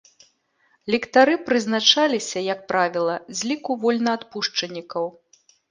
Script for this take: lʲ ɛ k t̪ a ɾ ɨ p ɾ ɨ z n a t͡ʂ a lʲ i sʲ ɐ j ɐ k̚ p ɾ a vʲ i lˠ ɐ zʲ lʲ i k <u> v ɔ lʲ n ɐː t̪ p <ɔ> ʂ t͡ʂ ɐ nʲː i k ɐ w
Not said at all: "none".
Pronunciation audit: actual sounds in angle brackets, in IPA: u, u

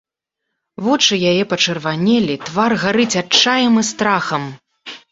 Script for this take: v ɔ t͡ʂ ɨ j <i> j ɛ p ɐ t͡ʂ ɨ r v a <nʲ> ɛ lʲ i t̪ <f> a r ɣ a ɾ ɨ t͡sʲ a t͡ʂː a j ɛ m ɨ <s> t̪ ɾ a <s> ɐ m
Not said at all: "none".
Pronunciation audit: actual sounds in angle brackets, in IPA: a, nʲ, v, s, x

